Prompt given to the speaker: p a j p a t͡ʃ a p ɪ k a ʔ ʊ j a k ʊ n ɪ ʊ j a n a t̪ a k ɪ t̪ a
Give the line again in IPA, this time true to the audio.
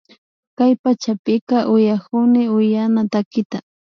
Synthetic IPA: k a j p a t͡ʃ a p ɪ k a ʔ ʊ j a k ʊ n ɪ ʊ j a n a t̪ a k ɪ t̪ a